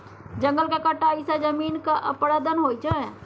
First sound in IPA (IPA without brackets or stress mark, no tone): d͡ʒ